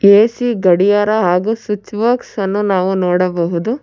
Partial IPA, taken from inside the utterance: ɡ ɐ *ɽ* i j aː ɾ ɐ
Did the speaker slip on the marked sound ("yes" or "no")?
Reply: no